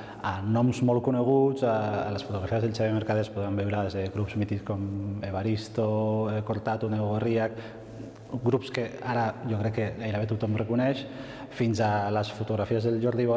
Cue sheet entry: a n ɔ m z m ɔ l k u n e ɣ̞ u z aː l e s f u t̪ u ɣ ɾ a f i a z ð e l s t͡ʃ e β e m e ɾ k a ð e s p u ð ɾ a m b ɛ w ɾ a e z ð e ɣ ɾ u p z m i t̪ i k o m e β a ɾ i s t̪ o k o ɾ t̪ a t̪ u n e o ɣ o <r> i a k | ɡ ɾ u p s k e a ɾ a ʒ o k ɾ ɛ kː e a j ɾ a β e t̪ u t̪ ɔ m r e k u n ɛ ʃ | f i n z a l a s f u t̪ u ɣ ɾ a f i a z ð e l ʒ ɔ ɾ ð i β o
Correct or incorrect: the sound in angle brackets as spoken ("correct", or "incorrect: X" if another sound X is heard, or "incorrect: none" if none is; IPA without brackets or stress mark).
correct